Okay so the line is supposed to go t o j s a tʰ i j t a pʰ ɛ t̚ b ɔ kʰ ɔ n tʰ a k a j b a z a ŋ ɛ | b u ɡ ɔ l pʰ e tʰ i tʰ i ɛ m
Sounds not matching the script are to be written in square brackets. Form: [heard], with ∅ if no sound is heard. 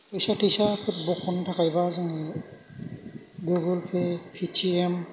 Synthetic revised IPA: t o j s a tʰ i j [s] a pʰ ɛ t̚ b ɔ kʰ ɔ n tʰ a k a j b a z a ŋ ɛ | [ɡ] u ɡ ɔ l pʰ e [pʰ] i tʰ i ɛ m

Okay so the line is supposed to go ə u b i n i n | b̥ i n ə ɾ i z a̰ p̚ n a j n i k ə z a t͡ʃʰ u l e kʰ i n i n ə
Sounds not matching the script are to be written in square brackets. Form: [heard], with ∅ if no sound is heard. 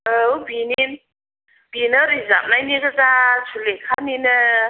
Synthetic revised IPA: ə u b i n i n | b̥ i n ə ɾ i z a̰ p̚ n a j n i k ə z a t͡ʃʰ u l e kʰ [a] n i n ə

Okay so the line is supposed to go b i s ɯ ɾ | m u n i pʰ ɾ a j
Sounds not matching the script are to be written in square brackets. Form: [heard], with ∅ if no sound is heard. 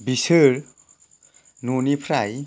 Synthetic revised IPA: b i s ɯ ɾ | [n] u n i pʰ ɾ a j

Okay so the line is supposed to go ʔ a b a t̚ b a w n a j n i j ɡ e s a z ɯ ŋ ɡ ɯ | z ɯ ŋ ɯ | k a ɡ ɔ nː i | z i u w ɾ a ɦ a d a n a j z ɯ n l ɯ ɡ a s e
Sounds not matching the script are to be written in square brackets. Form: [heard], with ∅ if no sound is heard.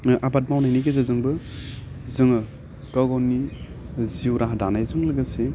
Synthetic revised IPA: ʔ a b a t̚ [m] a w n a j n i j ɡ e [z] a z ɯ ŋ [b] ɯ | z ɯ ŋ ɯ | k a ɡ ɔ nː i | z i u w ɾ a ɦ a d a n a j z ɯ [ŋ] l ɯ ɡ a s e

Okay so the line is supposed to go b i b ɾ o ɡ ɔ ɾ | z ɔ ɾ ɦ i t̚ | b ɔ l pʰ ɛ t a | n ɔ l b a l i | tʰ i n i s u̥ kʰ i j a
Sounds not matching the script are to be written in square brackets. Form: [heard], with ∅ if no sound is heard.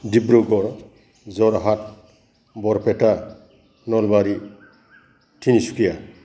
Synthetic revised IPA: [d] i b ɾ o ɡ ɔ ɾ | z ɔ ɾ ɦ [a] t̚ | b ɔ [ɾ] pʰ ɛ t a | n ɔ l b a [ɾ] i | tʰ i n i s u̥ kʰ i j a

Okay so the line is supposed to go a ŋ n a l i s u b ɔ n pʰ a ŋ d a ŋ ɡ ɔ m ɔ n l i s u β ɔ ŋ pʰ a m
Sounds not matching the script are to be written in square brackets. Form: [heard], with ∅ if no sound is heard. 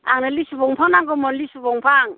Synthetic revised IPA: a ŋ n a l i s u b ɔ [ŋ] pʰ a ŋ [n] a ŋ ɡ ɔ m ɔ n l i s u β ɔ ŋ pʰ a [ŋ]

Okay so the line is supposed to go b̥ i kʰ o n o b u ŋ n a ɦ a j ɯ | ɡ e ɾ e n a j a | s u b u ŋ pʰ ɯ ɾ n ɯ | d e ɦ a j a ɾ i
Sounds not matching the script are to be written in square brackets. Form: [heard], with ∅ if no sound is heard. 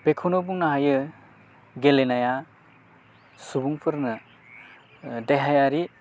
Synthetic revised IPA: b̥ [e] kʰ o n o b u ŋ n a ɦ a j ɯ | ɡ e [l] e n a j a | s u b u ŋ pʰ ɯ ɾ n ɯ | d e ɦ a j a ɾ i

